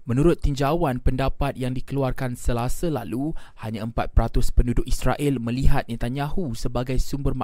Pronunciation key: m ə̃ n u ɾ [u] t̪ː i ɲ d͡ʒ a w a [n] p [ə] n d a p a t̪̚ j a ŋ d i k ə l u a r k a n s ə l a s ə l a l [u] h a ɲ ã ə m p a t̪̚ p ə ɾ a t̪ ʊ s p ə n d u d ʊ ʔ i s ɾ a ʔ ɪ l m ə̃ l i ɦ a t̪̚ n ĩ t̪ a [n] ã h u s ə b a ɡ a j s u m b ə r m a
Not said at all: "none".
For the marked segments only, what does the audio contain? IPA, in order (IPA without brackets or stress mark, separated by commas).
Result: ʊ, n, ə, u, ɲ